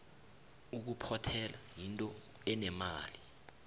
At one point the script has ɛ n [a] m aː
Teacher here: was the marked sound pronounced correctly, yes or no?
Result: no